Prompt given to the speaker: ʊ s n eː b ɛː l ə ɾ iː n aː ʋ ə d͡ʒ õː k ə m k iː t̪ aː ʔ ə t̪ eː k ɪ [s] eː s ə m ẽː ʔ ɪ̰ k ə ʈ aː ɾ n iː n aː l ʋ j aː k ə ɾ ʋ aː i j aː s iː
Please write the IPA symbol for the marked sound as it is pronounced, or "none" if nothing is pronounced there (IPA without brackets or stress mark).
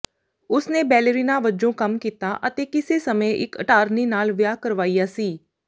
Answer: s